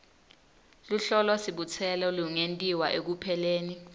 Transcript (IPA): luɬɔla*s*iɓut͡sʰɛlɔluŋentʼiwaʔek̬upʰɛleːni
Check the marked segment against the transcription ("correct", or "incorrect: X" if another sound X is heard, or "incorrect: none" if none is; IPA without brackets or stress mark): correct